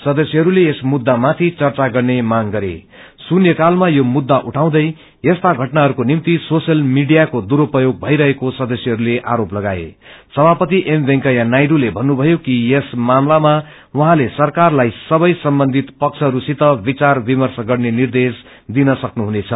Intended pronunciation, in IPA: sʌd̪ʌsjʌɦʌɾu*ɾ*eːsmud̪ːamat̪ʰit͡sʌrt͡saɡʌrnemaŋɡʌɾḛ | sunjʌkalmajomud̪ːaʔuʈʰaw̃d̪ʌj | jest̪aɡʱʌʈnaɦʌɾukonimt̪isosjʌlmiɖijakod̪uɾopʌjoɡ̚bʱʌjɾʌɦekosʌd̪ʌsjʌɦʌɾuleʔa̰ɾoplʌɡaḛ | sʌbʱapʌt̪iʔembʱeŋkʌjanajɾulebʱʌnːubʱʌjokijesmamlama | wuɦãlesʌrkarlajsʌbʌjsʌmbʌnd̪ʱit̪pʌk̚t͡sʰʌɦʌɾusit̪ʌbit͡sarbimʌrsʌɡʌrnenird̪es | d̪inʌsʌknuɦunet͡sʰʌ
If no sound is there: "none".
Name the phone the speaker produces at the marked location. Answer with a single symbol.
l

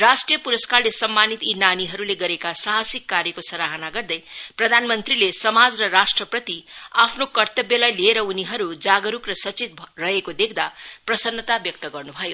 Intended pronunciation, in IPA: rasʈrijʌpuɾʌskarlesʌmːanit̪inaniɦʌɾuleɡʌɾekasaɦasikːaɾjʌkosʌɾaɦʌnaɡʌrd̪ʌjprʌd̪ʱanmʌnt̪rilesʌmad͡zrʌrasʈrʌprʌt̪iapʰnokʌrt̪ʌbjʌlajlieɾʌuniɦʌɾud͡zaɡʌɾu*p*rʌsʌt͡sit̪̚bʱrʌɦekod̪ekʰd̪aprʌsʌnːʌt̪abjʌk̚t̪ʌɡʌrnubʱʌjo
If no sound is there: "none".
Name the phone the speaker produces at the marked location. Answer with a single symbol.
k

